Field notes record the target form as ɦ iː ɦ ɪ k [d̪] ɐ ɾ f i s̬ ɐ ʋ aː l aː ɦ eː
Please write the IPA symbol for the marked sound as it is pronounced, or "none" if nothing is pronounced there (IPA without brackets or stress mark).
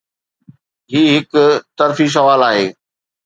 t̪